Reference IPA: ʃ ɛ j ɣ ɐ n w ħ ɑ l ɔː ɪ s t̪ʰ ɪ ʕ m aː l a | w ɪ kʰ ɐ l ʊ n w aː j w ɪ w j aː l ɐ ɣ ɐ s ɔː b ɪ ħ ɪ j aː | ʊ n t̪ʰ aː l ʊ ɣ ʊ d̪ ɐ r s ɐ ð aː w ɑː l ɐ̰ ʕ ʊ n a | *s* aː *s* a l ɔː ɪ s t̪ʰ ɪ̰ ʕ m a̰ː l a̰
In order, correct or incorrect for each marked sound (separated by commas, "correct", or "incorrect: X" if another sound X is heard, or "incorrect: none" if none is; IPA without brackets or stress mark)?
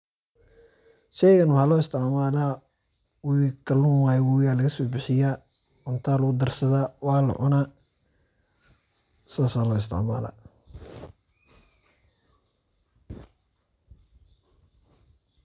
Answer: correct, correct